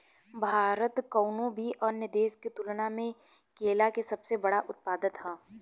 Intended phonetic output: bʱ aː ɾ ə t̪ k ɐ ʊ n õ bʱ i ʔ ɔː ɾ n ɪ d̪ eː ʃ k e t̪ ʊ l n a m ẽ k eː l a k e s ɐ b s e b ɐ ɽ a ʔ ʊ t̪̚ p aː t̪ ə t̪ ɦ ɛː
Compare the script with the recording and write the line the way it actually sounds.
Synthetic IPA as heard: bʱ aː ɾ ə t̪ k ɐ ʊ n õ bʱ i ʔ ɔː ɾ n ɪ d̪ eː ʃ k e t̪ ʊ l n a m ẽ k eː l a k e s ɐ b s e b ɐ ɽ a ʔ ʊ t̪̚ p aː d̪ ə t̪ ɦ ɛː